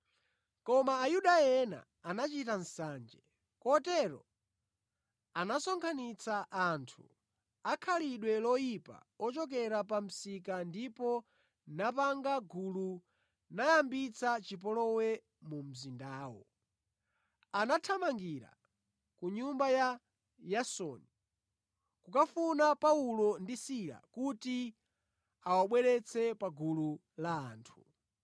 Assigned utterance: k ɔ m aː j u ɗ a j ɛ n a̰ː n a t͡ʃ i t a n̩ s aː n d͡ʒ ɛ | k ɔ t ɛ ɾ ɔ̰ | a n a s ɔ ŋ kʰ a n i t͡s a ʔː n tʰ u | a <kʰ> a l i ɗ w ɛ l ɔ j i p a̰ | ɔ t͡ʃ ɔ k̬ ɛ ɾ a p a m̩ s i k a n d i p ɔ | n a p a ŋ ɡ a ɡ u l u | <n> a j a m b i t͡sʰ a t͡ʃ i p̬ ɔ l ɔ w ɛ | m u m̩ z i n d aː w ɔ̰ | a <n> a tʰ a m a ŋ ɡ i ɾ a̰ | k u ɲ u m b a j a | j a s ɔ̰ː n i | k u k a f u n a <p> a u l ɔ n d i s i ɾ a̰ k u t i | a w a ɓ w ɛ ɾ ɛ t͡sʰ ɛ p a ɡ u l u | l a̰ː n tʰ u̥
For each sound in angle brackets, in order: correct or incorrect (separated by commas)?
correct, correct, correct, correct